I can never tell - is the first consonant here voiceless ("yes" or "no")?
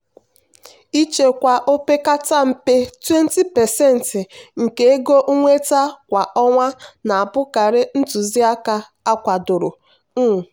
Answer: yes